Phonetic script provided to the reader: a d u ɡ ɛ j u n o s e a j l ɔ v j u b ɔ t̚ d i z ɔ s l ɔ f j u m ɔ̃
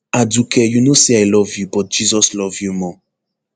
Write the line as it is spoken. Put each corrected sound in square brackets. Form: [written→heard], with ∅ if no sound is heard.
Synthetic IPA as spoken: a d u [ɡ→k] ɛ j u n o s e a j l ɔ v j u b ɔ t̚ [d→d͡ʒ] i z ɔ s l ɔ [f→v] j u m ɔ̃